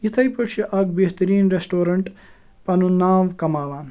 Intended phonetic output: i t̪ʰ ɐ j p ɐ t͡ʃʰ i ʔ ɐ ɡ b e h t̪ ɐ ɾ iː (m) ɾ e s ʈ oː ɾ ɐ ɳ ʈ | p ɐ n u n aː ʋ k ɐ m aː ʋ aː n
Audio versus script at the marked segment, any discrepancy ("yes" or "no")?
yes